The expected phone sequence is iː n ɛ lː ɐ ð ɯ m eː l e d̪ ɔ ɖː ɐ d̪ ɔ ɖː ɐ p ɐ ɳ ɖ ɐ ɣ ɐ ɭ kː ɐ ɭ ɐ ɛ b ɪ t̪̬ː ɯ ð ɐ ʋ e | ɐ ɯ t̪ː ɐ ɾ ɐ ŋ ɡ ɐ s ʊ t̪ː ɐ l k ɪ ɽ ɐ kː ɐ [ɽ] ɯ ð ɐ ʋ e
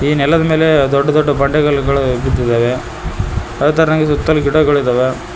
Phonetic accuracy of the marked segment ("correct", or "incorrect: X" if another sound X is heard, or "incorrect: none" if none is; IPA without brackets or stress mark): incorrect: ɭ